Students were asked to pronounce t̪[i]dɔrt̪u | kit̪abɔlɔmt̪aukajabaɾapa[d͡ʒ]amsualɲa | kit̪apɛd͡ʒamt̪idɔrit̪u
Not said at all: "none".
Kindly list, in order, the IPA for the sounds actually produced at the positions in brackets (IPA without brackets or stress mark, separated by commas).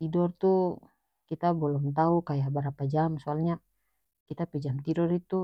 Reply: i, d͡ʒ